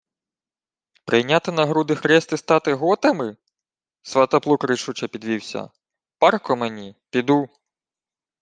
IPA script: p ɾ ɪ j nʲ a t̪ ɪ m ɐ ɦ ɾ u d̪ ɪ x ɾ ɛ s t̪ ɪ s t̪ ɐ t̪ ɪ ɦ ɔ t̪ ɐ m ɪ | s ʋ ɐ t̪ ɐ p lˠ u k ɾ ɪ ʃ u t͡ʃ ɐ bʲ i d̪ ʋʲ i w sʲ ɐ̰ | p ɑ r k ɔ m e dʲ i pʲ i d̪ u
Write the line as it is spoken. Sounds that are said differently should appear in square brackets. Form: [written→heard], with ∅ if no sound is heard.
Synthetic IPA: p ɾ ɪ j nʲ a t̪ ɪ [m→n] ɐ ɦ ɾ u d̪ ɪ x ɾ ɛ s t̪ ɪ s t̪ [ɐ→ɑ] t̪ ɪ ɦ ɔ t̪ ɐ m ɪ | s ʋ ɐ t̪ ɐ p lˠ u k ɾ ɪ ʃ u t͡ʃ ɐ [bʲ→pʲ] i d̪ ʋʲ i w sʲ ɐ̰ | p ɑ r k ɔ m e [dʲ→nʲ] i pʲ i d̪ u